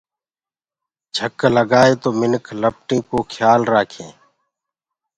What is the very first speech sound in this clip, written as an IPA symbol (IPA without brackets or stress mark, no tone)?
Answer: d͡ʒʱ